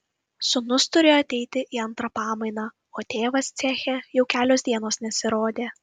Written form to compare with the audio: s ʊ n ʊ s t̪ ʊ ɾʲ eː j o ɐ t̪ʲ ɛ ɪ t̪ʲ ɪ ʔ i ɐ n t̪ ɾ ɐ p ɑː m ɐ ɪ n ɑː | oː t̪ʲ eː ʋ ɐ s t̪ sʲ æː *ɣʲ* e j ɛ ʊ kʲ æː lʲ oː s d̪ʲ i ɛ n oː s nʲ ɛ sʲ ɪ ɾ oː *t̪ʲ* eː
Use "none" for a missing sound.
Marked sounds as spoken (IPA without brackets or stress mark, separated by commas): xʲ, d̪ʲ